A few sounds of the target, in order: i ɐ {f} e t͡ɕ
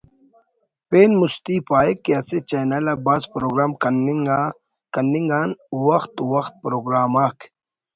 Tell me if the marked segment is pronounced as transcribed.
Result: no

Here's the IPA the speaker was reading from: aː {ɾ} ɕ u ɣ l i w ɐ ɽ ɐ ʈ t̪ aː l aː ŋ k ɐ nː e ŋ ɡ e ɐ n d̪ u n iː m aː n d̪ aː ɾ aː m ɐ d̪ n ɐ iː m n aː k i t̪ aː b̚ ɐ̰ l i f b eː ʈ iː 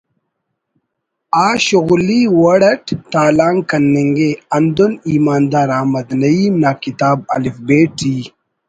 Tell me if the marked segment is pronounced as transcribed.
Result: no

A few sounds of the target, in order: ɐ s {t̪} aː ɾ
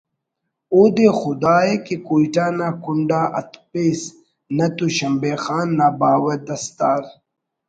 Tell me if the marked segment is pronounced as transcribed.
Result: yes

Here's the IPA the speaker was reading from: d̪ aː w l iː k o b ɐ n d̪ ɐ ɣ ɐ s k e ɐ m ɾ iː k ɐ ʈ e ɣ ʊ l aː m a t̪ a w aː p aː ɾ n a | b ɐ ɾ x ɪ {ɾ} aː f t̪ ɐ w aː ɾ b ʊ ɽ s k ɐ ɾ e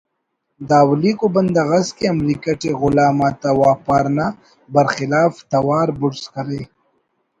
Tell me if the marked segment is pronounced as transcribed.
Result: no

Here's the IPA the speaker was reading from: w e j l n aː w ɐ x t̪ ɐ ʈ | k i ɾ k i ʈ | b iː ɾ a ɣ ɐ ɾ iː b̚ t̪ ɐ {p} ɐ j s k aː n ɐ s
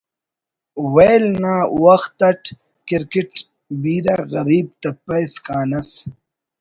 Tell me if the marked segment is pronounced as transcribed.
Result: yes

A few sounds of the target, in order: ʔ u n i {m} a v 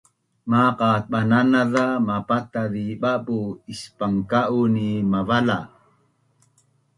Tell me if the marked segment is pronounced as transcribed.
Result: yes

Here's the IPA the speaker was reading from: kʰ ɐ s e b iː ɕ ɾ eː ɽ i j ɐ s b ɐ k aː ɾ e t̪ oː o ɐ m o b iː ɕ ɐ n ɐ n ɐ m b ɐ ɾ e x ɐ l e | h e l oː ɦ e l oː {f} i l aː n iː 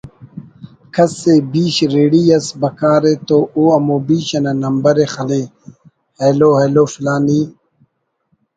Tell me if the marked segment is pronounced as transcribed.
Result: yes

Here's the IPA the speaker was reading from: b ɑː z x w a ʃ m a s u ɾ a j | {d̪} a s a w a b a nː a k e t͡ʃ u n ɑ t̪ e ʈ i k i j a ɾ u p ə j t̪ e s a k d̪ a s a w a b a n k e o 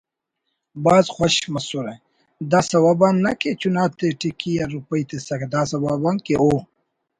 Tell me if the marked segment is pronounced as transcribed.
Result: yes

